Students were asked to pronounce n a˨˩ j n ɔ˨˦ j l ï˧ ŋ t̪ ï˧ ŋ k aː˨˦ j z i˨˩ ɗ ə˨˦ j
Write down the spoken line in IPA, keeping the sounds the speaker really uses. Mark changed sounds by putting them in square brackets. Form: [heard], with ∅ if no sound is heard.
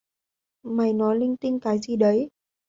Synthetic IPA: [m] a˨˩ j n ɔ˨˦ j l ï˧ ŋ t̪ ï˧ ŋ k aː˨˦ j z i˨˩ ɗ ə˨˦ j

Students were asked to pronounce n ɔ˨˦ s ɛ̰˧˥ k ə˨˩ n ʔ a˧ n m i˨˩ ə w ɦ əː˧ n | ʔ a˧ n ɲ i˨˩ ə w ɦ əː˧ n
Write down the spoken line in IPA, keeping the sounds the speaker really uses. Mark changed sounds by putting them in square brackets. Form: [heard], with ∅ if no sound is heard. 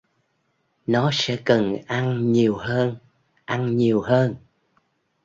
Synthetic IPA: n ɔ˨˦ s ɛ̰˧˥ k ə˨˩ n ʔ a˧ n [ɲ] i˨˩ ə w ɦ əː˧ n | ʔ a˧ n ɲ i˨˩ ə w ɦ əː˧ n

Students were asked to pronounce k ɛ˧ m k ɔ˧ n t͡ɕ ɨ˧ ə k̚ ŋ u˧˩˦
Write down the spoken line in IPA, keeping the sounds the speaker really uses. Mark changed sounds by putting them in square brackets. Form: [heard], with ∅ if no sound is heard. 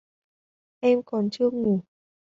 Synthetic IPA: [ʔ] ɛ˧ m k [ɔ˨˩] n t͡ɕ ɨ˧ ə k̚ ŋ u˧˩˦

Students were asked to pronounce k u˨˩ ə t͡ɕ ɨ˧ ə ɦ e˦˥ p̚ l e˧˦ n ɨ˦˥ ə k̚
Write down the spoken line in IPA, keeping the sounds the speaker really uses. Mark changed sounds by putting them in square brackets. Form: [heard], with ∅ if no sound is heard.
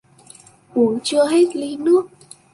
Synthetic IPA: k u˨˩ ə t͡ɕ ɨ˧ ə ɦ e˦˥ [t̚] l [i˧˦] n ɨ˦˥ ə k̚

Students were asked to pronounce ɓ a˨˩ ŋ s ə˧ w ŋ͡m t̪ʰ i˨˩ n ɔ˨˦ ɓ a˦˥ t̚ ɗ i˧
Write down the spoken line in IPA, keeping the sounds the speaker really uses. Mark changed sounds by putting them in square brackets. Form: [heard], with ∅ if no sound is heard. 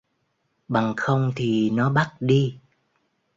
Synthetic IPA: ɓ a˨˩ ŋ [x] ə˧ w ŋ͡m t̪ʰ i˨˩ n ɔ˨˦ ɓ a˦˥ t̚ ɗ i˧

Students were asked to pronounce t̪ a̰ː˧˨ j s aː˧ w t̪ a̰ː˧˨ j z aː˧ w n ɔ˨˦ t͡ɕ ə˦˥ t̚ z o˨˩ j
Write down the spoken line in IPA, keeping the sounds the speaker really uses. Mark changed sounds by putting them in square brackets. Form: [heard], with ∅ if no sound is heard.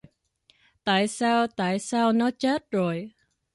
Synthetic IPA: t̪ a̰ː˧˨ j s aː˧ w t̪ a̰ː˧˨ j [s] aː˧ w n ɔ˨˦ t͡ɕ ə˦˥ t̚ z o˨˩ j

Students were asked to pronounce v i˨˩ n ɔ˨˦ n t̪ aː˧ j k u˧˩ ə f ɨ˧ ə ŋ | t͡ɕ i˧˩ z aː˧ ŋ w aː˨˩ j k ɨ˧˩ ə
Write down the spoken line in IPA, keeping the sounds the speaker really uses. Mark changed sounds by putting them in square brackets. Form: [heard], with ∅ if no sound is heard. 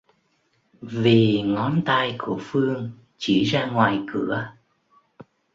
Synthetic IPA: v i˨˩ [ŋ] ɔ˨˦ n t̪ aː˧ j k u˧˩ ə f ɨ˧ ə ŋ | t͡ɕ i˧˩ z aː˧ ŋ w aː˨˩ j k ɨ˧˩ ə

